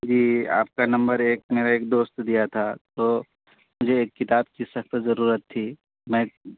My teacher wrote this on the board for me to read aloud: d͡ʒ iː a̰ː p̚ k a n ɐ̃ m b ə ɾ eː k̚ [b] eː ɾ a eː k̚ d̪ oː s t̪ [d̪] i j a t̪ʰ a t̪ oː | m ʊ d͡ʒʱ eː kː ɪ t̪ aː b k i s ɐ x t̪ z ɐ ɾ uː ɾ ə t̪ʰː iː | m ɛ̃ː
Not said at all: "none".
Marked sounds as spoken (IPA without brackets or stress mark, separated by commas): m, d̪